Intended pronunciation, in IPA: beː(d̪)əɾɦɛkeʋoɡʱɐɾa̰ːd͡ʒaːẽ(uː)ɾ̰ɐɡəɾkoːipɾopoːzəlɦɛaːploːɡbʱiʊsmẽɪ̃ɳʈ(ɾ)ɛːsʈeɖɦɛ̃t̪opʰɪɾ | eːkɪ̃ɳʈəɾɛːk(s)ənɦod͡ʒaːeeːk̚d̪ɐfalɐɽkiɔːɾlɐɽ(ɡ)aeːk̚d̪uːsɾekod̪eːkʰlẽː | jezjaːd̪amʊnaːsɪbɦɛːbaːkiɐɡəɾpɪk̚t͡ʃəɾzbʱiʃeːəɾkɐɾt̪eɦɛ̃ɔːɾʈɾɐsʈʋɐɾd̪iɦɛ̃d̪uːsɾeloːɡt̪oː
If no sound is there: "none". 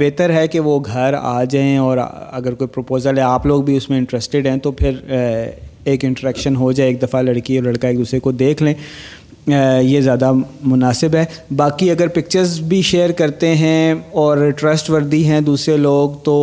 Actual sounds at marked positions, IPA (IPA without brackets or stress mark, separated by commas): t̪, ɔː, ɾ, ʃ, k